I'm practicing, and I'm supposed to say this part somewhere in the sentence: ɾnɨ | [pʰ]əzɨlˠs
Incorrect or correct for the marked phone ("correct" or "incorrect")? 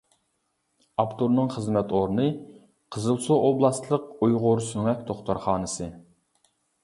incorrect